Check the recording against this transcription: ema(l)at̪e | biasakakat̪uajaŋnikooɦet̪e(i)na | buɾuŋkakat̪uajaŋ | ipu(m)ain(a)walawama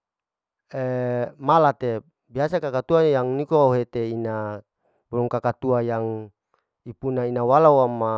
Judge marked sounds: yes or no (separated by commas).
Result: yes, yes, no, yes